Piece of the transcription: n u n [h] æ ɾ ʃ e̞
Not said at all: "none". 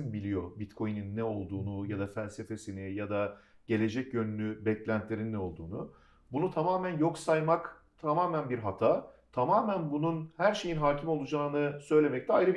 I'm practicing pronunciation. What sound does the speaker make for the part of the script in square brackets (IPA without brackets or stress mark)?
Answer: h